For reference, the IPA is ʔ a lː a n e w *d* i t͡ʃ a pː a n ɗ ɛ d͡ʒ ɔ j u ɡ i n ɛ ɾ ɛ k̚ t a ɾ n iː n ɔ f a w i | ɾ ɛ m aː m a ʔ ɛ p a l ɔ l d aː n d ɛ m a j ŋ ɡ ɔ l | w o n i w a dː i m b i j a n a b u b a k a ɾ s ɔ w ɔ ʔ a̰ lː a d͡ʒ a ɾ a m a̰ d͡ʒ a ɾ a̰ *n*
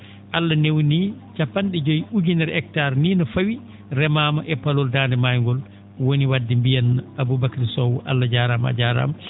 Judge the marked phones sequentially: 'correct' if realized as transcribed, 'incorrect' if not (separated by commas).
incorrect, incorrect